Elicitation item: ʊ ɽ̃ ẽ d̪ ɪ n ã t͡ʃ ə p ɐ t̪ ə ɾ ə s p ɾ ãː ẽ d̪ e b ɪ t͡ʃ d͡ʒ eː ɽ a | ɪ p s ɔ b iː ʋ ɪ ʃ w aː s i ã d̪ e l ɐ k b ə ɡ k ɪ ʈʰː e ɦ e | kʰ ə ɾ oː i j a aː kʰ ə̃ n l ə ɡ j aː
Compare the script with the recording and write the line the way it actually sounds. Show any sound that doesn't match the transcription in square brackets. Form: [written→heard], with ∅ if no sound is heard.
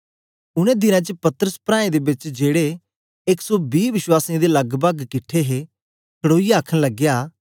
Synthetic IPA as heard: ʊ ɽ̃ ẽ d̪ ɪ n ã t͡ʃ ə p ɐ t̪ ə ɾ ə s p ɾ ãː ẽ d̪ e b ɪ t͡ʃ d͡ʒ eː ɽ [a→e] | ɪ [p→k] s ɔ b iː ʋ ɪ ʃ w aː s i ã d̪ e l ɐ [k→ɡ] b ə ɡ k ɪ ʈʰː e ɦ e | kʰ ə [ɾ→ɽ] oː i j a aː kʰ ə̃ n l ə ɡ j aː